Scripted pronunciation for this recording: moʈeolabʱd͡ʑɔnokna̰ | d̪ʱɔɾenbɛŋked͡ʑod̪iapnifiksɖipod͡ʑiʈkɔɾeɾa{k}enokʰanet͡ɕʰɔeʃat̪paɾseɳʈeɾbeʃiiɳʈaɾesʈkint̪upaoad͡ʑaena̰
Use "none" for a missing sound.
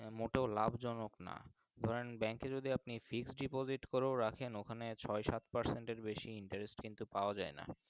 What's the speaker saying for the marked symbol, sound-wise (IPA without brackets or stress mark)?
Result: kʰ